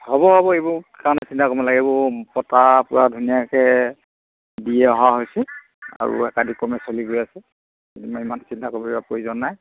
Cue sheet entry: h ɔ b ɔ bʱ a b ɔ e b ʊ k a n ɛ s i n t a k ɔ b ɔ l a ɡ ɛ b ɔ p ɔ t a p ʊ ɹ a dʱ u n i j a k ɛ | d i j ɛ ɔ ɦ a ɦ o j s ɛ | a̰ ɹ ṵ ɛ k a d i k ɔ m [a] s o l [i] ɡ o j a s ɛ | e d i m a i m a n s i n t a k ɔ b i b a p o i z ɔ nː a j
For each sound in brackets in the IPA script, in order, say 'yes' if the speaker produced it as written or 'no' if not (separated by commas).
no, yes